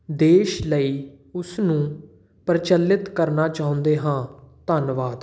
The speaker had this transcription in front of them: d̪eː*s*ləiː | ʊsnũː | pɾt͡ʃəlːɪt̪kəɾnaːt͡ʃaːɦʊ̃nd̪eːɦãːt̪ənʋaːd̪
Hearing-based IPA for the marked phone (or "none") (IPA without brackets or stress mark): ʃ